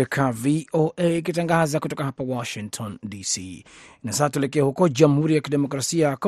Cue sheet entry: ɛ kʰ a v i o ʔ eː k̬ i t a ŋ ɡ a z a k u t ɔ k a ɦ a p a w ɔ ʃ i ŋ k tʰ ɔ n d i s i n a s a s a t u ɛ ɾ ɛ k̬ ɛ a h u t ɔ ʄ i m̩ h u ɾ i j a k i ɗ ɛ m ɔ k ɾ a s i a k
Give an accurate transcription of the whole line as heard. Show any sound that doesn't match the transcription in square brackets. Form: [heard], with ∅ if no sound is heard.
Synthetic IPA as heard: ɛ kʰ a v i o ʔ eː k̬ i t a ŋ ɡ a z a k u t ɔ k a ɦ a p a w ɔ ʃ i ŋ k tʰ ɔ n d i s i n a s a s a t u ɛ [l] ɛ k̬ ɛ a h u [k] ɔ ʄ [a] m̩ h u ɾ i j a k i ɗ ɛ m ɔ k ɾ a s i a k